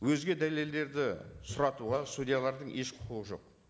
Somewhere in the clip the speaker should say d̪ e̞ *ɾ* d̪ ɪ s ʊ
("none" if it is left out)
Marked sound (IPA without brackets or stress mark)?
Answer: ɾ